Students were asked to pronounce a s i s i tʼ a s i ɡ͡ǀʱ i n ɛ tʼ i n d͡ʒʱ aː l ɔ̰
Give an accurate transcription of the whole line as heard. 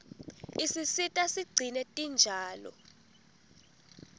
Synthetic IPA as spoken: i s i s i tʼ a s i ɡ͡ǀʱ i n ɛ tʼ i n d͡ʒʱ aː l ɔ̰